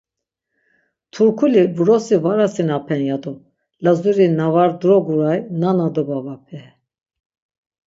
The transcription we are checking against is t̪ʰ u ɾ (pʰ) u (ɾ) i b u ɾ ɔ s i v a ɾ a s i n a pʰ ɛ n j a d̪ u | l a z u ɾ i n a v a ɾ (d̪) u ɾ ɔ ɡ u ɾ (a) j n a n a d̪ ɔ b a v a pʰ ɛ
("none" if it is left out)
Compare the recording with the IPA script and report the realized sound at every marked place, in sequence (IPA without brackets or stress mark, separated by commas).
kʰ, l, d̪, a